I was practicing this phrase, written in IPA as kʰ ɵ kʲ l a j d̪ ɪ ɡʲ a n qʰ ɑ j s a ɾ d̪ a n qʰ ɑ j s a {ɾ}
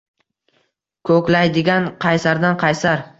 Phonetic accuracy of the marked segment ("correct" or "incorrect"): correct